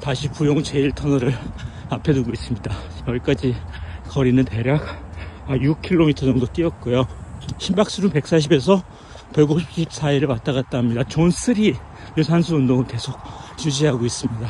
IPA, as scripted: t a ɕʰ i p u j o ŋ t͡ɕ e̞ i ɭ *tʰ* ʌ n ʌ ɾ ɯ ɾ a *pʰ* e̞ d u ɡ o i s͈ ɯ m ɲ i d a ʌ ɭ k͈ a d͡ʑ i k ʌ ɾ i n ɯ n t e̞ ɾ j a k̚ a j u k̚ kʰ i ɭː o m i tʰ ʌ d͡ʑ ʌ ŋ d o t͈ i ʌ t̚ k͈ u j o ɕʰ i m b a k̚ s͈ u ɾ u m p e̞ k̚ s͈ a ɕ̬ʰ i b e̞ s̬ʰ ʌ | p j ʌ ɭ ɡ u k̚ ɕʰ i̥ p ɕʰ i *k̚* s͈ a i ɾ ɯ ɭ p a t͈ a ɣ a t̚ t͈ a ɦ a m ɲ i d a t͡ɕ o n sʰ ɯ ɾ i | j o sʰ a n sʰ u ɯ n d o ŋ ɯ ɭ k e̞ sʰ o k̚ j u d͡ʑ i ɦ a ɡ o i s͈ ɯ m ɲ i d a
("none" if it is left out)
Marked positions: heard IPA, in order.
tʰ, pʰ, p̚

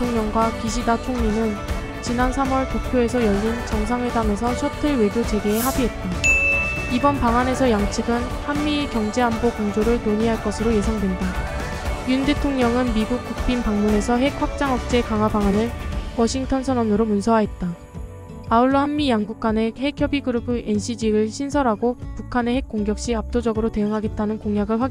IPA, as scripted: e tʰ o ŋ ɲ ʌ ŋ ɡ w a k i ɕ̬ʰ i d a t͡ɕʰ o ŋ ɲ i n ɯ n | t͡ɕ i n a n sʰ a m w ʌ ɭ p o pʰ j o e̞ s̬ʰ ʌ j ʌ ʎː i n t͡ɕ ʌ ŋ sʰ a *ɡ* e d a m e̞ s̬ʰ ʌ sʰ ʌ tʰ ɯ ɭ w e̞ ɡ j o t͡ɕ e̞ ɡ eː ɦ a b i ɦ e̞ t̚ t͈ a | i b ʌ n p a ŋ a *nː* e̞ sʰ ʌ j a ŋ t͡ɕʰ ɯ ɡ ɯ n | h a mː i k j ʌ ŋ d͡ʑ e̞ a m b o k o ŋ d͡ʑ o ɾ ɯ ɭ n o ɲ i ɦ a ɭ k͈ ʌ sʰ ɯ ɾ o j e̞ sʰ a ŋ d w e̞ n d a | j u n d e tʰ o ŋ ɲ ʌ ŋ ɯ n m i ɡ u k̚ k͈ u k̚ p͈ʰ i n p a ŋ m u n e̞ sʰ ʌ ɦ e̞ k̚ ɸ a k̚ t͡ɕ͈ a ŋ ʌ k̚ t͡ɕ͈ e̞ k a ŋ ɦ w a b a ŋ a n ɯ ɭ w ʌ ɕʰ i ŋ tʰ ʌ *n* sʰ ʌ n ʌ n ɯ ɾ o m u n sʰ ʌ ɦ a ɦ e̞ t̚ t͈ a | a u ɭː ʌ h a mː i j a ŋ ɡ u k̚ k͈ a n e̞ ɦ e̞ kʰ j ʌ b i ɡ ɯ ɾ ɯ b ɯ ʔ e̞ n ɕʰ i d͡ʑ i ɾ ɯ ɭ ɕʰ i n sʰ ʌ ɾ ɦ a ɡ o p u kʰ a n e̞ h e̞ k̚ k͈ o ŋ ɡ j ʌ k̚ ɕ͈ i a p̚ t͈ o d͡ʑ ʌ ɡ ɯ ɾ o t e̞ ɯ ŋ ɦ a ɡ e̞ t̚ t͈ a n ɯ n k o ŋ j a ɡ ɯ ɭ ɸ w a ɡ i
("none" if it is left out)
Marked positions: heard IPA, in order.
ŋ, n, n

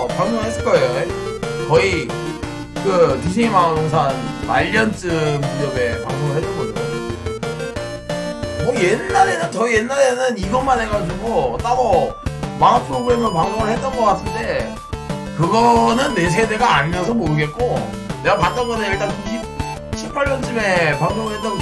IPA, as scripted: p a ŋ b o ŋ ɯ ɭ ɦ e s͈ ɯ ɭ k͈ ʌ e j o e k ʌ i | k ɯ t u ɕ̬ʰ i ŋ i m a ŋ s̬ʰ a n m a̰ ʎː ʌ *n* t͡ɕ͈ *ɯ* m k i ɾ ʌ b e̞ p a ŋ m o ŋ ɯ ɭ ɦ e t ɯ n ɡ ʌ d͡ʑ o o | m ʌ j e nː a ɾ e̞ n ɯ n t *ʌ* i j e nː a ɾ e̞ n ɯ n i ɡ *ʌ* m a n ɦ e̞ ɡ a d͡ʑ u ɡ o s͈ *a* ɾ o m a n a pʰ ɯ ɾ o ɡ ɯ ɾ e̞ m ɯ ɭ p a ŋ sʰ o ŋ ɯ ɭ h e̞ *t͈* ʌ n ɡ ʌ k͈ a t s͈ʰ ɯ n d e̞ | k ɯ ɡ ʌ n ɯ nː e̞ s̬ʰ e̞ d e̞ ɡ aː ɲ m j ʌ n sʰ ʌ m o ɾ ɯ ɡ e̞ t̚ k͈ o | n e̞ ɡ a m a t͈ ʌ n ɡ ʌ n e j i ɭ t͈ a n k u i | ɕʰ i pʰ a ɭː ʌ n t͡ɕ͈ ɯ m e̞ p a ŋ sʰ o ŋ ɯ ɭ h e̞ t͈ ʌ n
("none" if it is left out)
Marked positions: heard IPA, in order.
n, ɯ, ʌ, ʌ, a, t͈

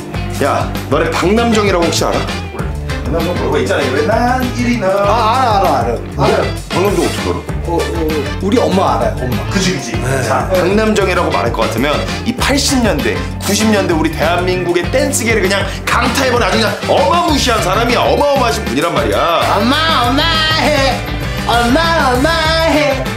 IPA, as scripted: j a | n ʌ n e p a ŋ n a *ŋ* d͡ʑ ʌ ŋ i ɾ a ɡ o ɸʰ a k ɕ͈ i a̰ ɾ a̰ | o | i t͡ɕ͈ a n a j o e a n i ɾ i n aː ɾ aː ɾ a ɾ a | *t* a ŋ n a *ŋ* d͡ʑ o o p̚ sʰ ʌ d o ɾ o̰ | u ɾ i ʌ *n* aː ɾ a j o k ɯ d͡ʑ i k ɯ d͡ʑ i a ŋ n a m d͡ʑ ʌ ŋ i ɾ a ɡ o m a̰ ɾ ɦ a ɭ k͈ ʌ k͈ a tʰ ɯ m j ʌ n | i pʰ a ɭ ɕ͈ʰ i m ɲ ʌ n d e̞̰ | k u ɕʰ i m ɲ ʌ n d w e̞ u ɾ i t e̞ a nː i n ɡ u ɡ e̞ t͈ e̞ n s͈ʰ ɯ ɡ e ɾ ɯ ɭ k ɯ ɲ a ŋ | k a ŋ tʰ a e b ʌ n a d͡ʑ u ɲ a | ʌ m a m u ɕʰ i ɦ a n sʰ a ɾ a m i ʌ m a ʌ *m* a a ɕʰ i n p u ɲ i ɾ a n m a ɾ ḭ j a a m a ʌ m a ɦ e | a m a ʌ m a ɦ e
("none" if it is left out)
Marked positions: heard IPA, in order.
m, p, m, m, m

